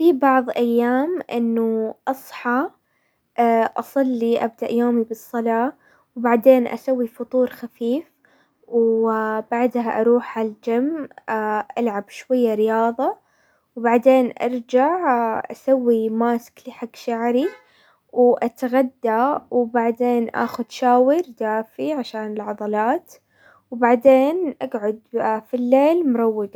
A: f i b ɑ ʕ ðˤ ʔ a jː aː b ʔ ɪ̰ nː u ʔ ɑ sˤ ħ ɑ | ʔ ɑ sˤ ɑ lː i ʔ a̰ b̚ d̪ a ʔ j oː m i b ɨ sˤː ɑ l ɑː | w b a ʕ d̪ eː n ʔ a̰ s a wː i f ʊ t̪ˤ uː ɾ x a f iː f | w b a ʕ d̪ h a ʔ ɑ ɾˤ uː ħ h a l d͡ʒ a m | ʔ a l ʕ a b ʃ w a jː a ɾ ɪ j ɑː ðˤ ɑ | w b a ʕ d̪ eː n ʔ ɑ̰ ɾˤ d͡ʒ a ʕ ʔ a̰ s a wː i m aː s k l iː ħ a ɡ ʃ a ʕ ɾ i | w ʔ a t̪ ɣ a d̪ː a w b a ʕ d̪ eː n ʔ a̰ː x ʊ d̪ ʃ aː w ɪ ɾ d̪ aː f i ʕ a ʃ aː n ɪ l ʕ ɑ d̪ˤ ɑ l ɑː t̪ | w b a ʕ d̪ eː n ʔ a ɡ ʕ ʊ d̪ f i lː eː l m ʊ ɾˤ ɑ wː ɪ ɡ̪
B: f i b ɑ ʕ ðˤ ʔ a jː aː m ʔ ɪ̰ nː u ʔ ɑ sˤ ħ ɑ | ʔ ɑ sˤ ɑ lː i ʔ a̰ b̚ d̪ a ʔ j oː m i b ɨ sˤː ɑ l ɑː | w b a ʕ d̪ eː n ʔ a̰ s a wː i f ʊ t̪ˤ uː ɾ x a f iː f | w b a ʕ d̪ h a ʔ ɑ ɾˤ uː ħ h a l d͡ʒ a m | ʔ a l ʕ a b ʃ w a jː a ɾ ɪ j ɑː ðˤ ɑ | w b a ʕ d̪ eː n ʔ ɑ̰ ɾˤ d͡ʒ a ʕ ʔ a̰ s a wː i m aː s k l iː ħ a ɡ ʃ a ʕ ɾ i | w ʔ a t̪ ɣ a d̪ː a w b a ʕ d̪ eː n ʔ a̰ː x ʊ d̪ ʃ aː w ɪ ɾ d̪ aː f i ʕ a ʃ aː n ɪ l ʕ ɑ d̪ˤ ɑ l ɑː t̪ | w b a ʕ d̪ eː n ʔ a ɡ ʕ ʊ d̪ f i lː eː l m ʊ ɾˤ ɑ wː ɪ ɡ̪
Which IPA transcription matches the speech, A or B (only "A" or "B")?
B